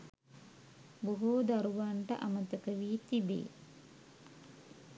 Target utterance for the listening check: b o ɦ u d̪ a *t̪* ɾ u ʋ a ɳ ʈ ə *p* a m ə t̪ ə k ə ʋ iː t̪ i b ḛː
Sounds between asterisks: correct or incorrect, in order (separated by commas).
incorrect, incorrect